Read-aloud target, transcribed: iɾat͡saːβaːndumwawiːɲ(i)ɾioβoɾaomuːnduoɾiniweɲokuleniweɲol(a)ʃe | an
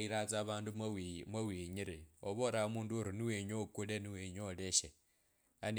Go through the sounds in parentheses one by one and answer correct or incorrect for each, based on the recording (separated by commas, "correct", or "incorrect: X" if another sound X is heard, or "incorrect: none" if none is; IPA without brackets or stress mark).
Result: correct, incorrect: e